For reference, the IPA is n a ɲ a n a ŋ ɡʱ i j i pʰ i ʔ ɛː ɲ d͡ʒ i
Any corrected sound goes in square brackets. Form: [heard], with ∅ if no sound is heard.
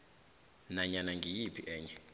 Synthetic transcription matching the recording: n a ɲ a n a ŋ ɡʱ i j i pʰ i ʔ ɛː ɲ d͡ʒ [ɛ]

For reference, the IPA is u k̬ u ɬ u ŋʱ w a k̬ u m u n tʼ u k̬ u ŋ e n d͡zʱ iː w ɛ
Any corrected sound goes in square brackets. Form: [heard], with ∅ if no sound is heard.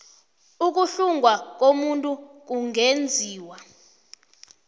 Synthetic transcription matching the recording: u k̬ u ɬ u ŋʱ w a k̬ [o] m u n tʼ u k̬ u ŋ e n d͡zʱ iː w [a]

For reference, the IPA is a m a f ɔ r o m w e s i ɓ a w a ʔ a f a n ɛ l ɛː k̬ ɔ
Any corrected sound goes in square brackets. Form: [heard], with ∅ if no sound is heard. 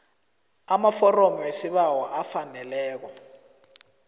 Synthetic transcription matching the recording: a m a f ɔ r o m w e s i ɓ a w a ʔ a f a n ɛ l ɛː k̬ ɔ

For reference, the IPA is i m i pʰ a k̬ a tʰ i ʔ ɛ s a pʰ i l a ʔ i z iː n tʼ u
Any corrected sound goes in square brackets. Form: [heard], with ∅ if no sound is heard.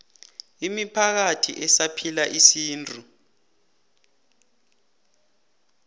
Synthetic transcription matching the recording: i m i pʰ a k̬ a tʰ i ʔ ɛ s a pʰ i l a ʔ i [s] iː n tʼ u

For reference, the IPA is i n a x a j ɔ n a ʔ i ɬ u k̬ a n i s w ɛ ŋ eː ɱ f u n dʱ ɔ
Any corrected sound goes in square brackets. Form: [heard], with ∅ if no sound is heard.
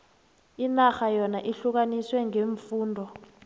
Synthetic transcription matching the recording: i n a x a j ɔ n a ʔ i ɬ u k̬ a n i s w ɛ ŋ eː ɱ f [uː] n dʱ ɔ

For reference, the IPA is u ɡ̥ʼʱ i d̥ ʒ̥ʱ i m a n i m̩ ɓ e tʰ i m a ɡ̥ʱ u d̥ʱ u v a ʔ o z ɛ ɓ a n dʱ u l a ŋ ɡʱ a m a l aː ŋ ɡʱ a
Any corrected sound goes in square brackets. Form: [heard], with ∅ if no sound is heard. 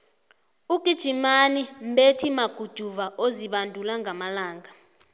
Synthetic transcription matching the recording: u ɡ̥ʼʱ i d̥ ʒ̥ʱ i m a n i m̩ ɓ e tʰ i m a ɡ̥ʱ u d̥ʱ u v a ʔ o z [i] ɓ a n dʱ u l a ŋ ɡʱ a m a l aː ŋ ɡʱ a

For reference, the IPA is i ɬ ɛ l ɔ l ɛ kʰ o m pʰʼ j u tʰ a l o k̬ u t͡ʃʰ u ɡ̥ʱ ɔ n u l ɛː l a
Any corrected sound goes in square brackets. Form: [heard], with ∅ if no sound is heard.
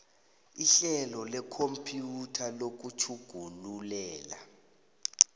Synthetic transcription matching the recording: i ɬ ɛ l ɔ l ɛ kʰ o m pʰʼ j u tʰ a l o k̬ u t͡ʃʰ u ɡ̥ʱ [u] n u l ɛː l a

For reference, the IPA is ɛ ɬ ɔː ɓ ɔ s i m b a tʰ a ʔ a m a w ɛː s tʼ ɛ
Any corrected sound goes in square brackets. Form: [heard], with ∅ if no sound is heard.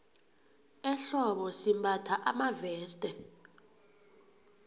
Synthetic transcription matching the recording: ɛ ɬ [ɔ] ɓ ɔ s i m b a tʰ a ʔ a m a [v] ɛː s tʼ ɛ

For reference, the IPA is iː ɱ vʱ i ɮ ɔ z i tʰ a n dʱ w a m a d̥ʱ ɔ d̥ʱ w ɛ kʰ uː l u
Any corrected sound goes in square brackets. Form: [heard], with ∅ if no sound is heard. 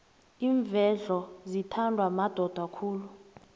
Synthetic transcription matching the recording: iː ɱ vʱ [ɛ] ɮ ɔ z i tʰ a n dʱ w a m a d̥ʱ ɔ d̥ʱ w [a] kʰ uː l u

